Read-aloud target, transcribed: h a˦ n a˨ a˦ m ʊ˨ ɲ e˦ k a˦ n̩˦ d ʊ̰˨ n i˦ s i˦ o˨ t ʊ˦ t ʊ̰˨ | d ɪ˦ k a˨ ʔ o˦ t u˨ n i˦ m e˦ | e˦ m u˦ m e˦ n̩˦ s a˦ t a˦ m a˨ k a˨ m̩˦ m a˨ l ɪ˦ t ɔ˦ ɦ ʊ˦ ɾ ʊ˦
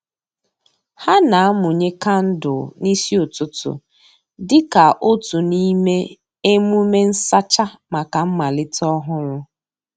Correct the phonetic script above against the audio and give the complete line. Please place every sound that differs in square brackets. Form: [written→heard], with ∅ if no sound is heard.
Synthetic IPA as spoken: h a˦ n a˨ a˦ m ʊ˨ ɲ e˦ k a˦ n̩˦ d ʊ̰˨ n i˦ s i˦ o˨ t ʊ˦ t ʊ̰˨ | d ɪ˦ k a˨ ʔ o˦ t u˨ n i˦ m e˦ | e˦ m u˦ m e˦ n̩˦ s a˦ [t→t͡ʃ] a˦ m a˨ k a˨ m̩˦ m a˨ l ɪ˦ t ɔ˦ ɦ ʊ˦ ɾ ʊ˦